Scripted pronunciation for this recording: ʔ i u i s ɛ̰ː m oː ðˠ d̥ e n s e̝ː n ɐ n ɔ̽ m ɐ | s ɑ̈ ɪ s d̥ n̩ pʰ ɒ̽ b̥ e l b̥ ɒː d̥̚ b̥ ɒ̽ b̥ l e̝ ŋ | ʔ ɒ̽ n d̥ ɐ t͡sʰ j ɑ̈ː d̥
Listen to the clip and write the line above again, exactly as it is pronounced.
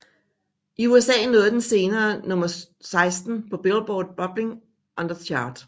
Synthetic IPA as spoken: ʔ i u e s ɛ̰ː n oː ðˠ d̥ e n s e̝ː n ɐː n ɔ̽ m ɐ | s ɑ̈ ɪ s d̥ n̩ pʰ ɒ̽ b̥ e l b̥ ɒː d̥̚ b̥ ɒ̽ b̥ l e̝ ŋ | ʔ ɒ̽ n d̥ ɐ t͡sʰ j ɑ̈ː d̥